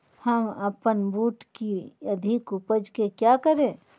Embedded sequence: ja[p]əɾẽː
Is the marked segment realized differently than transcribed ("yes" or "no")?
yes